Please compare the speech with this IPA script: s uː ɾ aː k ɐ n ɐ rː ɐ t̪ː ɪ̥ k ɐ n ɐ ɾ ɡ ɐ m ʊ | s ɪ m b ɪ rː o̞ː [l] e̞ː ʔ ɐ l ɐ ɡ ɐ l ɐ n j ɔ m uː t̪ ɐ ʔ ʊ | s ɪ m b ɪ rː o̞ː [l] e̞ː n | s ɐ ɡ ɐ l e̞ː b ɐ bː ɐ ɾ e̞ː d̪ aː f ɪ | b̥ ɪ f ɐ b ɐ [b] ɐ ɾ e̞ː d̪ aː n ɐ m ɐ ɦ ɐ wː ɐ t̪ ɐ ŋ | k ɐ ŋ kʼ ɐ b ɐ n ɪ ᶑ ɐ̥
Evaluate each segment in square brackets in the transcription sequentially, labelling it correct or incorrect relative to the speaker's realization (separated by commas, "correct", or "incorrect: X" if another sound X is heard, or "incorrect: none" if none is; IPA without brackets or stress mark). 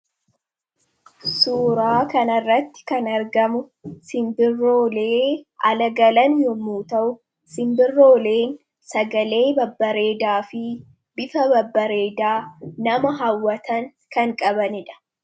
correct, correct, incorrect: bː